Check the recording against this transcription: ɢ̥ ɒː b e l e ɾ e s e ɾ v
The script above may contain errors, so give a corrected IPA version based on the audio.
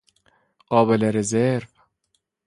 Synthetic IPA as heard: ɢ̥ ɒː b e l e ɾ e z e ɾ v